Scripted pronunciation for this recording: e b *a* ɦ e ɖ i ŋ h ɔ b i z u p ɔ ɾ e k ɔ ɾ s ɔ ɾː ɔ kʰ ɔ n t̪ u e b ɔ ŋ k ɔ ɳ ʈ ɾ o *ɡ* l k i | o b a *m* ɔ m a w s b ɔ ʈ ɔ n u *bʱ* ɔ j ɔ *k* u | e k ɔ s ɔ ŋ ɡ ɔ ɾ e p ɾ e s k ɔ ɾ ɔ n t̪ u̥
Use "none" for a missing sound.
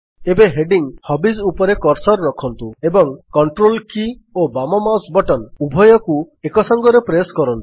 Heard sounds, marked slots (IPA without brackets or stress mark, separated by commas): e, none, m, bʱ, k